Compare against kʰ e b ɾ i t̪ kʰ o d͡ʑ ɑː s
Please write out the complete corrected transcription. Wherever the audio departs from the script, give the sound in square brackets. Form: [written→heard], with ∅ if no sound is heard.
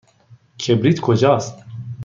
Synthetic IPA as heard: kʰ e b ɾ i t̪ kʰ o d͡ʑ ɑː s